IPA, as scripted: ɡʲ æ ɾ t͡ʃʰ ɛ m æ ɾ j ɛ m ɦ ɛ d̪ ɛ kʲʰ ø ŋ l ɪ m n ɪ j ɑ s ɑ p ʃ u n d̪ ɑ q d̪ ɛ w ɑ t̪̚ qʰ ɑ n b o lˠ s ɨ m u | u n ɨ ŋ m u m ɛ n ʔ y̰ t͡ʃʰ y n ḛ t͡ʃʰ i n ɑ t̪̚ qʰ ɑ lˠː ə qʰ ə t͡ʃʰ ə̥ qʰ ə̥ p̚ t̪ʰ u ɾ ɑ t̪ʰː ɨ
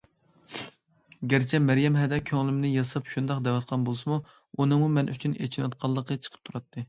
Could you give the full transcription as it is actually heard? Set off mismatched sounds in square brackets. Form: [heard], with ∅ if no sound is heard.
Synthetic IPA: ɡʲ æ ɾ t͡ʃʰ ɛ m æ ɾ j ɛ m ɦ ɛ d̪ ɛ kʲʰ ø ŋ l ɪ m n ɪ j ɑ s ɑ p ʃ u n d̪ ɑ q d̪ ɛ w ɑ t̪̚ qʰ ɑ n b o lˠ s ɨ m u | u n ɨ ŋ m u m ɛ n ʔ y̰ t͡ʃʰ y n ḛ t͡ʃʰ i n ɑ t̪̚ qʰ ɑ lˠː ə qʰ ə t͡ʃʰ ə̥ qʰ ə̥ p̚ t̪ʰ u ɾ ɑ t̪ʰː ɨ